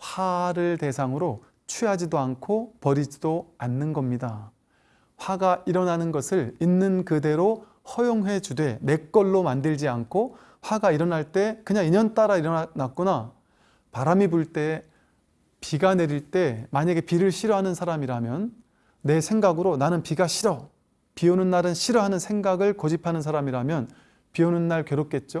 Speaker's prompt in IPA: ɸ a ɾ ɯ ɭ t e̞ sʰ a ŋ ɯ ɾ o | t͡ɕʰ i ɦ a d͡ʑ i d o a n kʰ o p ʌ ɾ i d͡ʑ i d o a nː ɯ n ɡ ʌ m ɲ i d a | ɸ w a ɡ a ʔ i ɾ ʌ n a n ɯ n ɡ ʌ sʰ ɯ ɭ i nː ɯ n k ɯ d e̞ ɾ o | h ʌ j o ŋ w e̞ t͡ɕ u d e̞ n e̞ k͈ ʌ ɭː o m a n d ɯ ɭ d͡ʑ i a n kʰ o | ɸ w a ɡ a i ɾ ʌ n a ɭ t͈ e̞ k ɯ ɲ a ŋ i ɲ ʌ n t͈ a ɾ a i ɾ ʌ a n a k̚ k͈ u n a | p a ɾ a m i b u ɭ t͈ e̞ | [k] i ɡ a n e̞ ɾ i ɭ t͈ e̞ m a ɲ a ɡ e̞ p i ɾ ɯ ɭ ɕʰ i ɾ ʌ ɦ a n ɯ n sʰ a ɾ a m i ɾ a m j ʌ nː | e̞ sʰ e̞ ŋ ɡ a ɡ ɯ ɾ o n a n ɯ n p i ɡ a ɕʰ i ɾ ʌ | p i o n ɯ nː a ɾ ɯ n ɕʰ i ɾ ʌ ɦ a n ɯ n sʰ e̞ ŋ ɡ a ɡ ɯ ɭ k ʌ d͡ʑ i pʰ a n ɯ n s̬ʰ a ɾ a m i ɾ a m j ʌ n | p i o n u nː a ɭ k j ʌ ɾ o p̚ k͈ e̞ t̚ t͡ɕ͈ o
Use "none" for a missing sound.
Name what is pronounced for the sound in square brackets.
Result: p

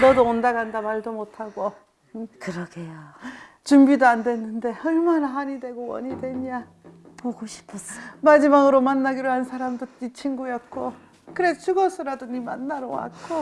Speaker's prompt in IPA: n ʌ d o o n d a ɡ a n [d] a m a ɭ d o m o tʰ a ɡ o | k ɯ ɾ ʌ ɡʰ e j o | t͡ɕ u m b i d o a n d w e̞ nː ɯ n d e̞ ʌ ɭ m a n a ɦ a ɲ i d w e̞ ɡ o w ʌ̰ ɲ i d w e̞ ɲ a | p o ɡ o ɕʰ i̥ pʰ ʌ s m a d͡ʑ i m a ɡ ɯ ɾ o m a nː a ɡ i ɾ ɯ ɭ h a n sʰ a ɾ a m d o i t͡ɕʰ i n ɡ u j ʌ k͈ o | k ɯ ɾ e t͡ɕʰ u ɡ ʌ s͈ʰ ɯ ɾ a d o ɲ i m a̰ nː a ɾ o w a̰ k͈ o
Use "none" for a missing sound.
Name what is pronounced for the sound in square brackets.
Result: d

